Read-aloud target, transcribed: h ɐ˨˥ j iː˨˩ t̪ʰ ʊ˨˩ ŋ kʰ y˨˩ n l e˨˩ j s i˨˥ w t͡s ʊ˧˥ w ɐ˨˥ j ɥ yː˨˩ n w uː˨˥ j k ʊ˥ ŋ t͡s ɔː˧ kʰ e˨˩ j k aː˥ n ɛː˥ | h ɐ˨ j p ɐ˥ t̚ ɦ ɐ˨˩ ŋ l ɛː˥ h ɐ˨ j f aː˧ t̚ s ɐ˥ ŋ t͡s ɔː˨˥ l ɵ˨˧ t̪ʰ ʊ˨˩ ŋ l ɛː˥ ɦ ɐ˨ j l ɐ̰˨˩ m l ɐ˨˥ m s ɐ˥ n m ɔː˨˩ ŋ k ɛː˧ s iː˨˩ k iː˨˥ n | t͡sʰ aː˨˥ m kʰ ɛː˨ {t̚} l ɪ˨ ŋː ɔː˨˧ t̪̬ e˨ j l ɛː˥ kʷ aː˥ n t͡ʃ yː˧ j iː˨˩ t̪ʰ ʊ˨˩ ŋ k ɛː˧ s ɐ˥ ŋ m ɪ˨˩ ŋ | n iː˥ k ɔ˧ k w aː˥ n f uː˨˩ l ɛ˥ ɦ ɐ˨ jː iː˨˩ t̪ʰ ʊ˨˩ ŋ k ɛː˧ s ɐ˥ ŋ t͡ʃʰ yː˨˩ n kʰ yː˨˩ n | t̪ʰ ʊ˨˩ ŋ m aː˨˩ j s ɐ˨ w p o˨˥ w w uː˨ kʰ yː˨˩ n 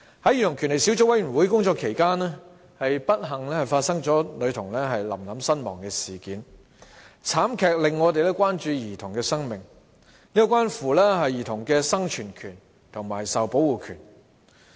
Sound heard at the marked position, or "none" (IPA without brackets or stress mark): k̚